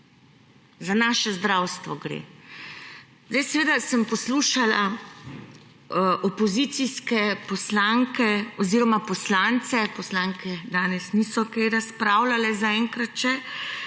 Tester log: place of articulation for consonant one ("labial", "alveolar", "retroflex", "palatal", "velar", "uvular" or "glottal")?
alveolar